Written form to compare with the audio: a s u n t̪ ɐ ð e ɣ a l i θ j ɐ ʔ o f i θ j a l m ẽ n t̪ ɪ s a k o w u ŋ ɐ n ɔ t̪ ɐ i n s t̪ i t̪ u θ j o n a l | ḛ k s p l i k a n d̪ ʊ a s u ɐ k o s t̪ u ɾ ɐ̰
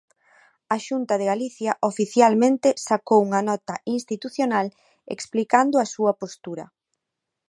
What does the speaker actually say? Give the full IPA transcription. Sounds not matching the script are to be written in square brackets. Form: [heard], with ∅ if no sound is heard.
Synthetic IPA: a [ʃ] u n t̪ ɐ ð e ɣ a l i θ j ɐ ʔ o f i θ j a l m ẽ n t̪ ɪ s a k o w u ŋ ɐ n ɔ t̪ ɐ i n s t̪ i t̪ u θ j o n a l | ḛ k s p l i k a n d̪ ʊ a s u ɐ [p] o s t̪ u ɾ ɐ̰